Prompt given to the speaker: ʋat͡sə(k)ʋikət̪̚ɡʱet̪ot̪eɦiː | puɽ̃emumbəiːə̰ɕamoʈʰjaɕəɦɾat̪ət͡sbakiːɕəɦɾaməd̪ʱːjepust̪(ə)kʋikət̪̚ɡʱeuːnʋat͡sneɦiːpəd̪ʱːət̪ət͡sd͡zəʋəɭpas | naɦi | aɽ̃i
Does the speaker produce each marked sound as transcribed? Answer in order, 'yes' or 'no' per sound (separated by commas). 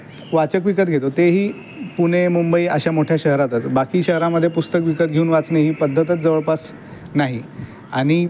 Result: yes, yes